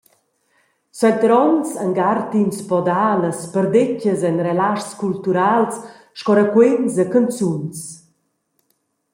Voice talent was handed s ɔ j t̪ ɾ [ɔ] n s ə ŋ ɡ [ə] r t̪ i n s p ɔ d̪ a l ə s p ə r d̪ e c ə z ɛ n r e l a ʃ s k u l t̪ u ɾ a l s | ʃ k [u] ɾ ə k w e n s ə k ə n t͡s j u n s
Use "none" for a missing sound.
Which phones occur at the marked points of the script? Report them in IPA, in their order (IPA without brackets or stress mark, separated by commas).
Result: ɔ, a, ɔ